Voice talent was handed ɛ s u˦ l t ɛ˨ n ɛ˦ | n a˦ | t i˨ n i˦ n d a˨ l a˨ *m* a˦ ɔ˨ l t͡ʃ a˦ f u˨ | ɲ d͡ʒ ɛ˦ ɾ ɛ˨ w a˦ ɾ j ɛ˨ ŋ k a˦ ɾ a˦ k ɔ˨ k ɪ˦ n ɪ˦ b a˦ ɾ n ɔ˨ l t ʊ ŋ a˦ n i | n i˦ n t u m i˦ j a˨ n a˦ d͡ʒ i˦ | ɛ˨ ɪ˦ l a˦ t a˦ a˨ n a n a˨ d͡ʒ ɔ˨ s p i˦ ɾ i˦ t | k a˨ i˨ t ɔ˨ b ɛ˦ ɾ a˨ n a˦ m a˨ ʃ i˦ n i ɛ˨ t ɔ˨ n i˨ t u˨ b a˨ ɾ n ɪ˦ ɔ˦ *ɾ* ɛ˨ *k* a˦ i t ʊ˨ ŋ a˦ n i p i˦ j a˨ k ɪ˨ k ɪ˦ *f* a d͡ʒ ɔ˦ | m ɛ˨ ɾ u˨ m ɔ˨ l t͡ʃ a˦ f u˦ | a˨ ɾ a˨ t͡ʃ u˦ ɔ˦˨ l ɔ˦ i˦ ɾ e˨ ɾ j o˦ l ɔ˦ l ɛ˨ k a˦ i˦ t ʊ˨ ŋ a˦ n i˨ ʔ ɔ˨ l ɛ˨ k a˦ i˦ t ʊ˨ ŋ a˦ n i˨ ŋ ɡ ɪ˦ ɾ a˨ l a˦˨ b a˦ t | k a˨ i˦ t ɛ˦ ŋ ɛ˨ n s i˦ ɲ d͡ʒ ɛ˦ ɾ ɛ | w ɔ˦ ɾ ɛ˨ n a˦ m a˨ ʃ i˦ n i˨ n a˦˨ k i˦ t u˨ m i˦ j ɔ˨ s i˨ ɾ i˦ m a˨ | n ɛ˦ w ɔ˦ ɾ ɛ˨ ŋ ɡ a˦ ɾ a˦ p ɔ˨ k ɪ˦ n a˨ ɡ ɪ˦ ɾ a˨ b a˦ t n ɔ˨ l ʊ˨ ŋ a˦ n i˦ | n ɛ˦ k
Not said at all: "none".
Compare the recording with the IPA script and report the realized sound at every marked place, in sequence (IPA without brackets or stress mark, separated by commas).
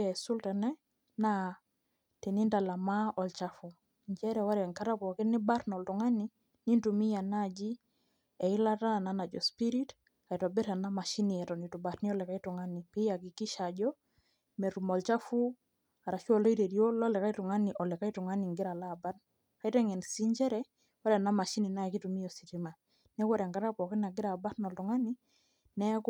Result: m, l, k, ʃ